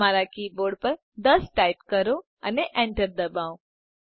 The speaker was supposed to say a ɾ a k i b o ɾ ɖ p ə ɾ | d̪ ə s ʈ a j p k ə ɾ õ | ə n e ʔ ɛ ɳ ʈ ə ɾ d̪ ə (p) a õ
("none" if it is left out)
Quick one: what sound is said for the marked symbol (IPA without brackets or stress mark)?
b